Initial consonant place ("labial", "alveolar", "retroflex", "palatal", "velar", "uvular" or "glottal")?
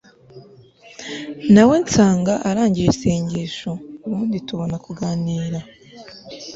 alveolar